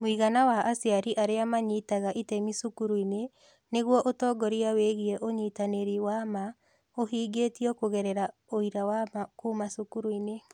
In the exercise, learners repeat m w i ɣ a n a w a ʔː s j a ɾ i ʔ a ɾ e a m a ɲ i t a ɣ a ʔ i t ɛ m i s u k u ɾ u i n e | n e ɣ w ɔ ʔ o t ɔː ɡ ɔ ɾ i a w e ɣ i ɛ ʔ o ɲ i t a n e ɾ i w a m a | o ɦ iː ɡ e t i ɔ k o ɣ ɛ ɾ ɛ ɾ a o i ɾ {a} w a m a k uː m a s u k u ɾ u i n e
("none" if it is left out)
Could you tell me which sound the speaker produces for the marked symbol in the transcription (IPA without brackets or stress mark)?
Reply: a